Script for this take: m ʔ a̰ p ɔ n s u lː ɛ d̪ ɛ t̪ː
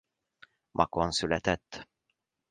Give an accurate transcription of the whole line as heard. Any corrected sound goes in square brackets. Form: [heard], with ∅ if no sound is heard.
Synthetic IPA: m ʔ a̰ [k] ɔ n s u [l] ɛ [t̪] ɛ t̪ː